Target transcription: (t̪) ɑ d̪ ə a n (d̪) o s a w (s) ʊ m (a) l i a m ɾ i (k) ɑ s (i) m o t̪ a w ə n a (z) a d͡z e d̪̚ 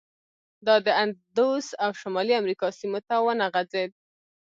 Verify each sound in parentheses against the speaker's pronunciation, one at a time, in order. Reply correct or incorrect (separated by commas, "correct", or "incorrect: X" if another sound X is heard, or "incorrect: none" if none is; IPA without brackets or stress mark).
incorrect: d̪, correct, incorrect: ʃ, incorrect: ɑ, correct, correct, incorrect: ɣ